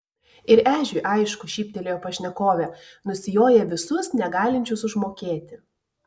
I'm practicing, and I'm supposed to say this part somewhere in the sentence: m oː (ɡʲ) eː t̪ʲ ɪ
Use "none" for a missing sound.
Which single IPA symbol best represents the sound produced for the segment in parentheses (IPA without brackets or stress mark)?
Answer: kʲ